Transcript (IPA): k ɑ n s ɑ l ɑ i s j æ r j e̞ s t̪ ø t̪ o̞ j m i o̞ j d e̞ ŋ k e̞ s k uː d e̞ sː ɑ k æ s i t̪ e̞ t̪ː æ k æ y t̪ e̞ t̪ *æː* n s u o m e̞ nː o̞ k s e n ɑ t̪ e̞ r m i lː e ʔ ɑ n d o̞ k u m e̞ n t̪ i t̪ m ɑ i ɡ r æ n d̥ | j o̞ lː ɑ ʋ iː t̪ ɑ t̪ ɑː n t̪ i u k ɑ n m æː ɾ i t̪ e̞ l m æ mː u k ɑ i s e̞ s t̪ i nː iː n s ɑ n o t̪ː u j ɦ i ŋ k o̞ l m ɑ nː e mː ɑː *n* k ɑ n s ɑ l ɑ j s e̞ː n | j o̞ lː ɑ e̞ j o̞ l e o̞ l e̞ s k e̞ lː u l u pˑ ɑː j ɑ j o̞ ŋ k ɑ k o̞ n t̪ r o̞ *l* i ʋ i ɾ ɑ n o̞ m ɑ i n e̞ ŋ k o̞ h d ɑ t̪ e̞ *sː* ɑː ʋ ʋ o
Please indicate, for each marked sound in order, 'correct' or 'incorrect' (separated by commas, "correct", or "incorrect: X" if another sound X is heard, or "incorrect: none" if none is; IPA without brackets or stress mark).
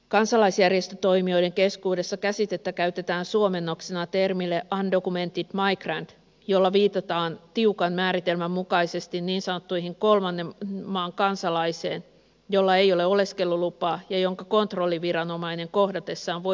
correct, incorrect: ŋ, incorrect: lː, correct